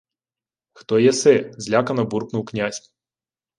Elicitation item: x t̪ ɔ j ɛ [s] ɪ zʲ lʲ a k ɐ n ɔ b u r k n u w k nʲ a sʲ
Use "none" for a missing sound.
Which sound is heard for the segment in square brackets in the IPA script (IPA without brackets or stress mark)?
s